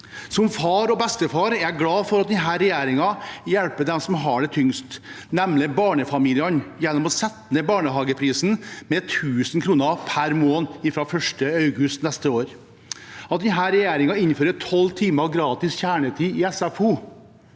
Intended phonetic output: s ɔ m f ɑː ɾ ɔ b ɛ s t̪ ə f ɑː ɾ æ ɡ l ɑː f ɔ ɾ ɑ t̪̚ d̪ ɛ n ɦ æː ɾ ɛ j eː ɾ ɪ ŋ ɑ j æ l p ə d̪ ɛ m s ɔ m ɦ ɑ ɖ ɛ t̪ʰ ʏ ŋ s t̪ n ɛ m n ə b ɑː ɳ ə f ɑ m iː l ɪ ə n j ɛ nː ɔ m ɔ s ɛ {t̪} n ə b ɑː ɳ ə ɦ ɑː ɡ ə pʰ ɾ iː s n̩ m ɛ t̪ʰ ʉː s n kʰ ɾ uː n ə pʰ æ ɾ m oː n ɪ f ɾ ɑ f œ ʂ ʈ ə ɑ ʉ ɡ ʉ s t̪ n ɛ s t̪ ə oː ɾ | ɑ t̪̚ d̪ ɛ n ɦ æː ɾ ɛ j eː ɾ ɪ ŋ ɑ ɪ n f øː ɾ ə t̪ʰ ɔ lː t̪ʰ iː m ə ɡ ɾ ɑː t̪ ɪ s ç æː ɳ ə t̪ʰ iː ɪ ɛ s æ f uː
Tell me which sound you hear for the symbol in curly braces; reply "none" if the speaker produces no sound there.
t̪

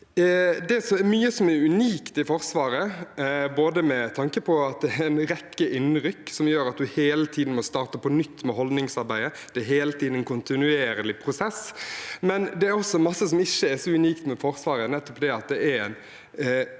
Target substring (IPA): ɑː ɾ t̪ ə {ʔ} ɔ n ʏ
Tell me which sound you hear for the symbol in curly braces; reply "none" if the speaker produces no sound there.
p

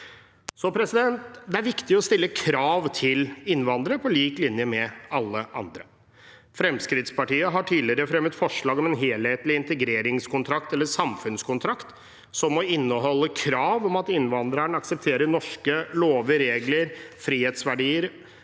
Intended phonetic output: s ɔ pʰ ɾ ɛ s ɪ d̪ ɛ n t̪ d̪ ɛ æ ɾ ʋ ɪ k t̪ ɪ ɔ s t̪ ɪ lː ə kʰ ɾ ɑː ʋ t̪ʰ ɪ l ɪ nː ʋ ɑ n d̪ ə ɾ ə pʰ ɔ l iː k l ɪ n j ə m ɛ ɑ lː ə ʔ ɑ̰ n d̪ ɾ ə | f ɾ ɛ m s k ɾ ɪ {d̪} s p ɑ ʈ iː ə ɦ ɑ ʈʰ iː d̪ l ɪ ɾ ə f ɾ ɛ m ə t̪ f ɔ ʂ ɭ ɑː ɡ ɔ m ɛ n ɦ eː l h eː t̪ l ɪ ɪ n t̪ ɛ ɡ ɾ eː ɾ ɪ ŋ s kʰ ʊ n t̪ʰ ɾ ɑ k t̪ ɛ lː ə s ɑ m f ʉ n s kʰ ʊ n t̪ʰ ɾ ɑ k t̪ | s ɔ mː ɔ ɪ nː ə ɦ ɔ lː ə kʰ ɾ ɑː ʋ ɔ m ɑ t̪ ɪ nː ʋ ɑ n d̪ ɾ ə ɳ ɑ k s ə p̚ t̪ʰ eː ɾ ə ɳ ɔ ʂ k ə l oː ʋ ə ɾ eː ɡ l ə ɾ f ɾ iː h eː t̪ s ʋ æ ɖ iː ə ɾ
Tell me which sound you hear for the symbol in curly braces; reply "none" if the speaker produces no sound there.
t̪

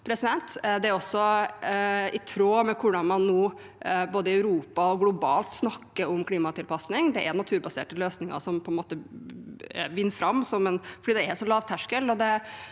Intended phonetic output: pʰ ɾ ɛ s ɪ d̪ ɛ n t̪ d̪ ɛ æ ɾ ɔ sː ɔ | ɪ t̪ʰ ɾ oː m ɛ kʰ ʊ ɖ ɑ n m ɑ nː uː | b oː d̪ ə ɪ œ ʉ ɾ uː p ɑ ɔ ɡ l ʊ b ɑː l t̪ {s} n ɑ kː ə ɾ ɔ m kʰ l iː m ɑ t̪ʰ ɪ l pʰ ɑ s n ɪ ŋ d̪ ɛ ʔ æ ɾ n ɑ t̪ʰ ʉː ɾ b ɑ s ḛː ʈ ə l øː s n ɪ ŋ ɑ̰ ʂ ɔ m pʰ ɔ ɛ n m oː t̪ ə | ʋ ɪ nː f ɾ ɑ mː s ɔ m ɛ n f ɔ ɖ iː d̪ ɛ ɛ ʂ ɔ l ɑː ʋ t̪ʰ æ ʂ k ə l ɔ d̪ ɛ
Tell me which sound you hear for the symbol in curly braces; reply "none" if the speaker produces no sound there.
s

